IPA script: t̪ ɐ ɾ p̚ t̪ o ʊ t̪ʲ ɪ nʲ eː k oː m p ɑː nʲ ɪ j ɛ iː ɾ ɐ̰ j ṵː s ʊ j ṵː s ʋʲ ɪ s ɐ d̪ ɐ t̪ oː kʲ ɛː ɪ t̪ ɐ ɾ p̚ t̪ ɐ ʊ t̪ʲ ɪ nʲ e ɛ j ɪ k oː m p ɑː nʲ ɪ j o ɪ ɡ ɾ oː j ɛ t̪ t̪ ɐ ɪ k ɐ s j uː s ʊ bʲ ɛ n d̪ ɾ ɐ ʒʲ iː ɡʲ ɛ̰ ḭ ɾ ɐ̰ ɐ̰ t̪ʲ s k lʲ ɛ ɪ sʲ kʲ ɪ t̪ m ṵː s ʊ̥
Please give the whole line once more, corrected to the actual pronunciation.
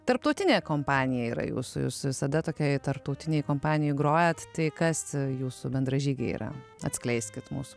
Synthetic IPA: t̪ ɐ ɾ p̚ t̪ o ʊ t̪ʲ ɪ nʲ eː k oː m p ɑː nʲ ɪ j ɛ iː ɾ ɐ̰ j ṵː s ʊ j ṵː s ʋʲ ɪ s ɐ d̪ ɐ t̪ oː kʲ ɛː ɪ t̪ ɐ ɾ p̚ t̪ ɐ ʊ t̪ʲ ɪ nʲ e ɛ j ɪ k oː m p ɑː nʲ ɪ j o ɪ ɡ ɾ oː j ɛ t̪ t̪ ɐ ɪ k ɐ s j uː s ʊ bʲ ɛ n d̪ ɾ ɐ ʒʲ iː ɡʲ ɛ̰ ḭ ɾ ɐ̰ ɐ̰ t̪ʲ s k lʲ ɛ ɪ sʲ kʲ ɪ t̪ m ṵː s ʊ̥